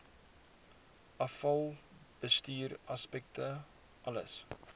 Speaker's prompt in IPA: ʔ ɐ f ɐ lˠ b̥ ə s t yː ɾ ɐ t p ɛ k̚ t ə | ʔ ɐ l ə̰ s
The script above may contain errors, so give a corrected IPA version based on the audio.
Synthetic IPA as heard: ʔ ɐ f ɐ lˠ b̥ ə s t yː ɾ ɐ s p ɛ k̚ t ə | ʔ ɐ l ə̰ s